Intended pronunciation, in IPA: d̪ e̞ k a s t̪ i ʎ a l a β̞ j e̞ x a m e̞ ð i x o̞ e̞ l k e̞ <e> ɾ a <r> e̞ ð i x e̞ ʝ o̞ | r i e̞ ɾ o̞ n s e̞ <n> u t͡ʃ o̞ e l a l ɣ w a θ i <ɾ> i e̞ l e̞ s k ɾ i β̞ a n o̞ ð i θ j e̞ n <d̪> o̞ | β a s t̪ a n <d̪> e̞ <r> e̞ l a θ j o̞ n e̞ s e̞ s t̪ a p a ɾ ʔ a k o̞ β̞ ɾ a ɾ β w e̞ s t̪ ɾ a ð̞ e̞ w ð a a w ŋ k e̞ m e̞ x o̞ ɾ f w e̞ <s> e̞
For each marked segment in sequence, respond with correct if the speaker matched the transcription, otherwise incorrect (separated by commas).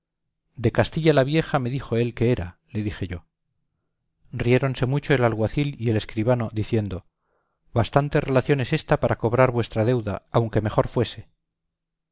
correct, incorrect, incorrect, incorrect, correct, incorrect, correct, correct